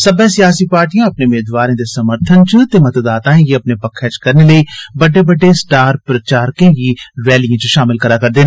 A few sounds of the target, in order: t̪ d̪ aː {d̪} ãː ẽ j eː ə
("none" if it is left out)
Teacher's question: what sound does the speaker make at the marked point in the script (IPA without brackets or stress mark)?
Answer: t̪